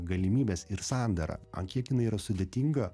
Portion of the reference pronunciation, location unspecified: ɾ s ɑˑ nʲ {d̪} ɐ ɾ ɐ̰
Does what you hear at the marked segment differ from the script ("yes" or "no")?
no